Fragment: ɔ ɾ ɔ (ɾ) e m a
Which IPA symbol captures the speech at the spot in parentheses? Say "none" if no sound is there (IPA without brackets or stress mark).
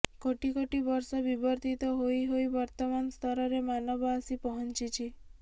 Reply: ɾ